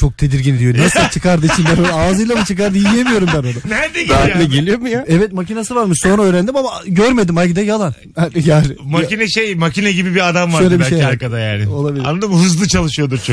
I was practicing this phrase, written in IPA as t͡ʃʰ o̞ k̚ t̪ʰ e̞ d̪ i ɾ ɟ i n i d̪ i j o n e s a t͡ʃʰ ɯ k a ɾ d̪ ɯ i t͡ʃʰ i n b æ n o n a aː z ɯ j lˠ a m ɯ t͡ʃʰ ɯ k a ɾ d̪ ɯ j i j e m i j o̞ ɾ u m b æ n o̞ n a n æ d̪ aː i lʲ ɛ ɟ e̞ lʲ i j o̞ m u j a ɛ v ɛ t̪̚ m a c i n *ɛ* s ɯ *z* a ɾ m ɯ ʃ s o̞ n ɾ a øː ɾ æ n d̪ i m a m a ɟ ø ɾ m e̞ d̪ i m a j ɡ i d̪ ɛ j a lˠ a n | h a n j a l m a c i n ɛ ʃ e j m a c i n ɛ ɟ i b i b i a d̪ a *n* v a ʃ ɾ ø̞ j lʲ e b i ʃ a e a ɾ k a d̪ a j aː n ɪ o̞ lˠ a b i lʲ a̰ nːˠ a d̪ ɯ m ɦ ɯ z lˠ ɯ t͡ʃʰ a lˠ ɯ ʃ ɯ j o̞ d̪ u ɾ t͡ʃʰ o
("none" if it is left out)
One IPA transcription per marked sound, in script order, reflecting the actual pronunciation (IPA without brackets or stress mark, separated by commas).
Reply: a, v, m